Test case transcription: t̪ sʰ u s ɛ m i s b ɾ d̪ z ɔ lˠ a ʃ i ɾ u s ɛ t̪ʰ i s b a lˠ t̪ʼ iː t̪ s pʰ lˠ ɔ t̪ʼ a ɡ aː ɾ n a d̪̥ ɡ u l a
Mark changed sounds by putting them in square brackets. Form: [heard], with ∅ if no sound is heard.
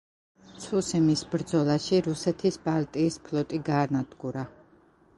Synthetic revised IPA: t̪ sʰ u s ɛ m i s b ɾ d̪ z ɔ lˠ a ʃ i ɾ u s ɛ t̪ʰ i s b a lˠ t̪ʼ iː [∅] s pʰ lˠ ɔ t̪ʼ [i] ɡ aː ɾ n a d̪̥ ɡ u [ɾ] a